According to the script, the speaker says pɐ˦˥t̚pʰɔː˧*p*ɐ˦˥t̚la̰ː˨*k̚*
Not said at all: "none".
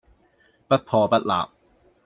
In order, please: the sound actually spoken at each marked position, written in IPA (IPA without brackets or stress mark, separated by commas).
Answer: p, p̚